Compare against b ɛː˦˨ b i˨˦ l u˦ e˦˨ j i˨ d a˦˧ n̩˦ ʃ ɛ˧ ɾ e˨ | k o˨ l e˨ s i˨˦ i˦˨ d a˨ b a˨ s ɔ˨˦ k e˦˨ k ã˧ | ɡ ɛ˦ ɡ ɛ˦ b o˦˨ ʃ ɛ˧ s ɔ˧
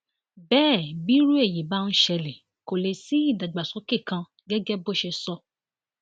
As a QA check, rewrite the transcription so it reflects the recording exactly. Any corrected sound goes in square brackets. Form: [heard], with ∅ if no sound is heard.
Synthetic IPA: b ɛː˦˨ b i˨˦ [ɾ] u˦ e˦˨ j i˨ [b] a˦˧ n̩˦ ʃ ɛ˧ [l] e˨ | k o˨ l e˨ s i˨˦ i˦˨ d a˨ [ɡ͡b] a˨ s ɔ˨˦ k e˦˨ k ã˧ | ɡ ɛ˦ ɡ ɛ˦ b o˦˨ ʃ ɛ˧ s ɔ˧